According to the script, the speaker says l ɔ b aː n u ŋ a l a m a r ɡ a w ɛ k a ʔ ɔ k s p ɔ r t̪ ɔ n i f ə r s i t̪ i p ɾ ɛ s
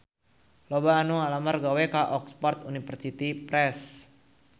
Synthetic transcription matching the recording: l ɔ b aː n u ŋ a l a m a r ɡ a w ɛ k a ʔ ɔ k s p ɔ r t̪ u n i f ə r s i t̪ i p ɾ ɛ s